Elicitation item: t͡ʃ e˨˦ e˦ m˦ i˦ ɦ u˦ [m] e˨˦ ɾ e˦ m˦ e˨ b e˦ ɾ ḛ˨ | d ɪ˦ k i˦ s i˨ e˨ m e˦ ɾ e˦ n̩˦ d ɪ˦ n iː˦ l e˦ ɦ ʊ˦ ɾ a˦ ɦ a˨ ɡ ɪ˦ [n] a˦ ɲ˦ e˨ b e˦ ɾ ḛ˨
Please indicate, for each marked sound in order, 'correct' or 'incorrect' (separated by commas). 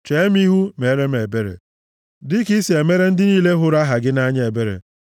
correct, correct